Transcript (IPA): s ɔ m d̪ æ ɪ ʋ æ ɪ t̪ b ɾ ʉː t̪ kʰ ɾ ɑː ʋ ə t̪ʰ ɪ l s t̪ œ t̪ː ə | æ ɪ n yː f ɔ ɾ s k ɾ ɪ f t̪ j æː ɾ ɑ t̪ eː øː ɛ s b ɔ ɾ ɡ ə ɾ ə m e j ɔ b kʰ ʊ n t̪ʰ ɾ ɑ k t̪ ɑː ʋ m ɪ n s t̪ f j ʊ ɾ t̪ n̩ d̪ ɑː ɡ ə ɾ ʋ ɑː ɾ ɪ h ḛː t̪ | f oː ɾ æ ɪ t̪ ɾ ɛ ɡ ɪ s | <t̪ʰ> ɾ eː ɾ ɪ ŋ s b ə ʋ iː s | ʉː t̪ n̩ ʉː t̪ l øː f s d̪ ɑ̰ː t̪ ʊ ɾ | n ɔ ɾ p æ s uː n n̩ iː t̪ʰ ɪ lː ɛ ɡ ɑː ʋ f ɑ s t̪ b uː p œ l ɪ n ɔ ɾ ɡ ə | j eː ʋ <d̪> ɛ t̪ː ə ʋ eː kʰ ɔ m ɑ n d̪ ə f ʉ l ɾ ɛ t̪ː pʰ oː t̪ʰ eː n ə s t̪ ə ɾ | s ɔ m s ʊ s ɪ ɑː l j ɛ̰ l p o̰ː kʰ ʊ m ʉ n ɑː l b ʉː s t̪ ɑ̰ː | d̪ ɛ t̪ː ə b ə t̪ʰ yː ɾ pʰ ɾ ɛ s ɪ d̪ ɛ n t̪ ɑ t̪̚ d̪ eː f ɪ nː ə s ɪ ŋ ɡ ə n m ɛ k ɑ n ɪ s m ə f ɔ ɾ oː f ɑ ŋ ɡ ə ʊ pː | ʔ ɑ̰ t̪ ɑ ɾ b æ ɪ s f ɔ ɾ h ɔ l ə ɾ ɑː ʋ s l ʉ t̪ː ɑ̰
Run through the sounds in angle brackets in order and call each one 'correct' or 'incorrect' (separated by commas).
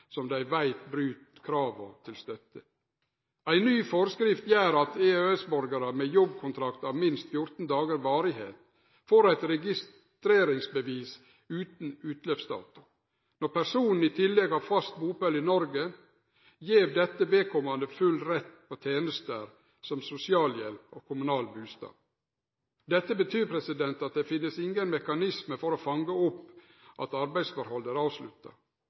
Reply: incorrect, correct